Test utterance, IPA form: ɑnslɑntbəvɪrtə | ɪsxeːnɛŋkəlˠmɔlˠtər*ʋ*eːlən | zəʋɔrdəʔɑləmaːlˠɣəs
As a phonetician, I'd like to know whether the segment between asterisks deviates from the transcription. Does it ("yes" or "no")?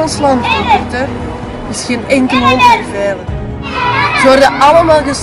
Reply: yes